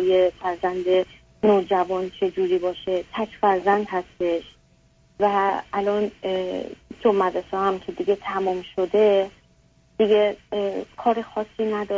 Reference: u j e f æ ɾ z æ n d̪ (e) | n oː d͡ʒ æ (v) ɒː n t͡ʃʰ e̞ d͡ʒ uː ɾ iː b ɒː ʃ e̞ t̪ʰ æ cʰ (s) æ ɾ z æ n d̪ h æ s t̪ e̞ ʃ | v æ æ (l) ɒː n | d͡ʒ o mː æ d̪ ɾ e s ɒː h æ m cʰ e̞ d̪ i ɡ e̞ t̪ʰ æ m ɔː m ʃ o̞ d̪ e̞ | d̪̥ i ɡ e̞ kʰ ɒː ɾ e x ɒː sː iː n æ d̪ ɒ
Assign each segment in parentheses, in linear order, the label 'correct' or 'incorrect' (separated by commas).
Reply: correct, correct, incorrect, correct